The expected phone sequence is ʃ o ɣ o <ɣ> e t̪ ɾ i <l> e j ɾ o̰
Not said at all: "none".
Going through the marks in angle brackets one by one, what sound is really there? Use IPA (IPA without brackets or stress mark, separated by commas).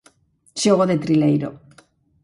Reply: ð, l